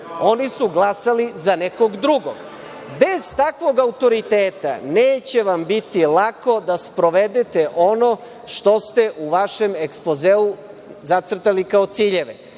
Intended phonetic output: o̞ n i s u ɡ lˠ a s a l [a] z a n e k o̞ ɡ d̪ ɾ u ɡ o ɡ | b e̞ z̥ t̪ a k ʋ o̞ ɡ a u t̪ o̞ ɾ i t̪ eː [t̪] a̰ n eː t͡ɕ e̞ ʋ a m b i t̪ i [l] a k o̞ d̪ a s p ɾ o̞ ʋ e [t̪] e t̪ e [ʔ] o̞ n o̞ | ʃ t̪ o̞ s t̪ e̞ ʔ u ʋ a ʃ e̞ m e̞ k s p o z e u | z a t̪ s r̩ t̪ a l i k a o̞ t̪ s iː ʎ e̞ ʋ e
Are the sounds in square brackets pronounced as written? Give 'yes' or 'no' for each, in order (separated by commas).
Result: no, yes, yes, no, yes